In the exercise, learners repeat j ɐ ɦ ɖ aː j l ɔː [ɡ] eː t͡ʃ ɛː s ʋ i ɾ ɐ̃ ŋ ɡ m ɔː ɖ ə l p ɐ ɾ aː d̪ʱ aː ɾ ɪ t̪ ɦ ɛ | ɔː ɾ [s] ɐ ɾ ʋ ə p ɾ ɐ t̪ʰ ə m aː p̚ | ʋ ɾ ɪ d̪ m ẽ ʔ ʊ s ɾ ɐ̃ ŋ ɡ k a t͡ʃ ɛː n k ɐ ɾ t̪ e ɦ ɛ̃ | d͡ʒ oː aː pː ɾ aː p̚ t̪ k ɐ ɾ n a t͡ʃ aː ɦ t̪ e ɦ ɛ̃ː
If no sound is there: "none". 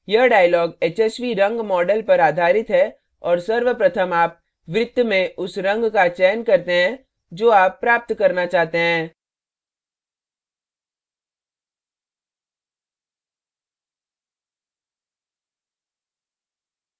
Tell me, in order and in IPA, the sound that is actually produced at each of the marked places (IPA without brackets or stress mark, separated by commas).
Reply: ɡ, s